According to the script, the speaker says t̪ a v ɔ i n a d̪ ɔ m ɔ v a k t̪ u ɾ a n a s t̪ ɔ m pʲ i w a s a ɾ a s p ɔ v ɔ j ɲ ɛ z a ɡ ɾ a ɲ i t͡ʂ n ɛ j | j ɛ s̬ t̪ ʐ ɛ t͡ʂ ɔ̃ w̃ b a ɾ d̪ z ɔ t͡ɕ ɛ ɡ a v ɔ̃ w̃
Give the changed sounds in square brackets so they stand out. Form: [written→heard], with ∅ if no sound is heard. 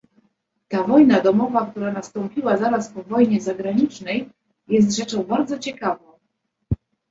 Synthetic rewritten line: t̪ a v ɔ [i→j] n a d̪ ɔ m ɔ v a k t̪ u ɾ a n a s t̪ ɔ m pʲ i w a [s→z] a ɾ a s p ɔ v ɔ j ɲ ɛ z a ɡ ɾ a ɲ i t͡ʂ n ɛ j | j ɛ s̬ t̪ ʐ ɛ t͡ʂ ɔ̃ w̃ b a ɾ d̪ z ɔ t͡ɕ ɛ [ɡ→k] a v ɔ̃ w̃